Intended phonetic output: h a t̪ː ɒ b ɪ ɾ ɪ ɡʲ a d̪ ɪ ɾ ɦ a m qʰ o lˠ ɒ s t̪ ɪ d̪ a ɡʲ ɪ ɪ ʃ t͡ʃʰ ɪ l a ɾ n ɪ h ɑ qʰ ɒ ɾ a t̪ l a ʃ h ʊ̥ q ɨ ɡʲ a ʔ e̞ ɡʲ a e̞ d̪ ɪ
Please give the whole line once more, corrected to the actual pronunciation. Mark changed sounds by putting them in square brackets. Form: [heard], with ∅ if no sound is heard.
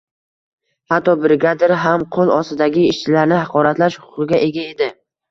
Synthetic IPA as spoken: h a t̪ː ɒ b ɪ ɾ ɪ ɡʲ a d̪ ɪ ɾ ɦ a m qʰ o lˠ ɒ s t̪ ɪ d̪ a ɡʲ ɪ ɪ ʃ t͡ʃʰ ɪ l a ɾ n ɪ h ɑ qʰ ɒ ɾ a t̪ l a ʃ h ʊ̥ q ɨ ɡʲ a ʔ e̞ ɡʲ a e̞ d̪ ɪ